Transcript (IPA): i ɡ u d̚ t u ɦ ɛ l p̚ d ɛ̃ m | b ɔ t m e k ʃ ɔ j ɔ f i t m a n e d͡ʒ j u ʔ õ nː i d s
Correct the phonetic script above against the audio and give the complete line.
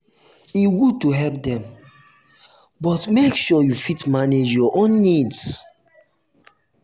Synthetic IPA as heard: i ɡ u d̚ t u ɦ ɛ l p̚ d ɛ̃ m | b ɔ t m e k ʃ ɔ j u f i t m a n e d͡ʒ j ɔ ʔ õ nː i d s